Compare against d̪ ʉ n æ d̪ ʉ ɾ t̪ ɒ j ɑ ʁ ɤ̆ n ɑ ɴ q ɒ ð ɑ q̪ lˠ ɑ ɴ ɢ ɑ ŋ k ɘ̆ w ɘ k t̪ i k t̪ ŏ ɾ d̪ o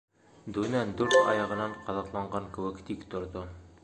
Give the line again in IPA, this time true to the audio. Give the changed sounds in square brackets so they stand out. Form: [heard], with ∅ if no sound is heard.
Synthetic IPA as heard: d̪ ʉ n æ d̪ ʉ ɾ t̪ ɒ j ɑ ʁ ɤ̆ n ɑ ɴ q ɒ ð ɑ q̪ lˠ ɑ ɴ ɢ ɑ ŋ k ɘ̆ w ɘ k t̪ i k t̪ ŏ ɾ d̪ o